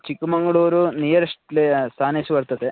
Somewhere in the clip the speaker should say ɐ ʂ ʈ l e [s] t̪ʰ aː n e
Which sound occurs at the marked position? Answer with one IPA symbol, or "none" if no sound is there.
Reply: s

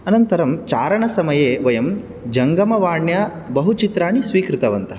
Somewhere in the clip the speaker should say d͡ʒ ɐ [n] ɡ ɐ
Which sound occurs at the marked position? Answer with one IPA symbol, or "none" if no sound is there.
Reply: ŋ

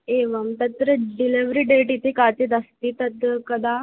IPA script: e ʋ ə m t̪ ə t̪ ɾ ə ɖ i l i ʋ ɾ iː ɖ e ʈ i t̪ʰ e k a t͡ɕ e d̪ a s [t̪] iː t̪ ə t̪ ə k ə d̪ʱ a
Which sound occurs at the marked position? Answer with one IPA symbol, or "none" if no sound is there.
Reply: t̪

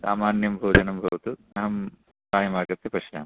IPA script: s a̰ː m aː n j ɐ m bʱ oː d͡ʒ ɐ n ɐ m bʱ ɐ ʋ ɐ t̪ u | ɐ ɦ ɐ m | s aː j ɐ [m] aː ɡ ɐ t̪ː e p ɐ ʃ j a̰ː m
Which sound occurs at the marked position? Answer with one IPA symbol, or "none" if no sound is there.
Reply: m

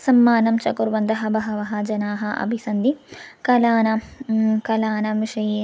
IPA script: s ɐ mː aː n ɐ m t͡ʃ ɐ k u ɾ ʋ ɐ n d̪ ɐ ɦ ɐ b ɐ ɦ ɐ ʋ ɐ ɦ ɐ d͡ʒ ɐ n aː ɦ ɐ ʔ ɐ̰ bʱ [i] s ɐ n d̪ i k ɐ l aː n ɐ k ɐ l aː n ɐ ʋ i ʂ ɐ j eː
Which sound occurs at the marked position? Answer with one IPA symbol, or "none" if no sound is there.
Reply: i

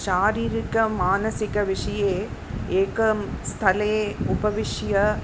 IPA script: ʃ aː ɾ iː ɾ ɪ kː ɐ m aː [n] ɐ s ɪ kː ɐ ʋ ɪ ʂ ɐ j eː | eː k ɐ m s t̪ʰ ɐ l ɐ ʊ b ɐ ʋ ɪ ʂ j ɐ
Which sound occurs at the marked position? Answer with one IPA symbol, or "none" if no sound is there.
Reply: n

